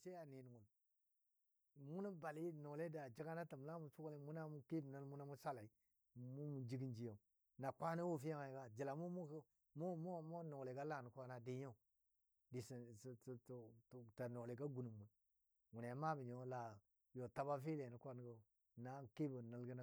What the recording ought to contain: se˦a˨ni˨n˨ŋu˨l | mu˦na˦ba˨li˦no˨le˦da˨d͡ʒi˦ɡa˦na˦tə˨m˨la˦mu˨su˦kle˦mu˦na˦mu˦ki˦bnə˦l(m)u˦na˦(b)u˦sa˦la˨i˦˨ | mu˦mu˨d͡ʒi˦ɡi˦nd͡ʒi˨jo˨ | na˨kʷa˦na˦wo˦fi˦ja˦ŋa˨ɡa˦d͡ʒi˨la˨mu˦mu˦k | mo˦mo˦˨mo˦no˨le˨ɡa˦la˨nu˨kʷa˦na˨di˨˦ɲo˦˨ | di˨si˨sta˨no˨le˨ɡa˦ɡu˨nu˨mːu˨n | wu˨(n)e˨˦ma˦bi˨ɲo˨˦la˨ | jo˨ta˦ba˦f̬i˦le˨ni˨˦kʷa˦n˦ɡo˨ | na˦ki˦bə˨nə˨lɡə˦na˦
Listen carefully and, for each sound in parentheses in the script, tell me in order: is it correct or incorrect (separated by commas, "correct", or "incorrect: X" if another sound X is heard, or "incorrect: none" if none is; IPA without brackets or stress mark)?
correct, incorrect: m, correct